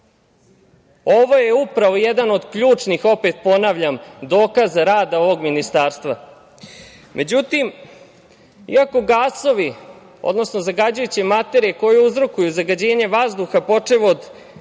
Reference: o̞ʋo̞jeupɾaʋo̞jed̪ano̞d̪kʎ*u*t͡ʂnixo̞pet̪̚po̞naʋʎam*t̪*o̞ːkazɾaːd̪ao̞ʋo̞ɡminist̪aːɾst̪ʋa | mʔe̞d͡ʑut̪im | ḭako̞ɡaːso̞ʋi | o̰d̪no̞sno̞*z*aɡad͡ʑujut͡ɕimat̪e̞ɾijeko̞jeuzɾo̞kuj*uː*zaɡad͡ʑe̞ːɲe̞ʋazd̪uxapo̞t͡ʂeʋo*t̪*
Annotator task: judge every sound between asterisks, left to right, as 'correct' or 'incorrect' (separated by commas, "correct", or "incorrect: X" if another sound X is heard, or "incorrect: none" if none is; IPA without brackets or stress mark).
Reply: incorrect: uː, incorrect: d̪, correct, incorrect: u, incorrect: d̪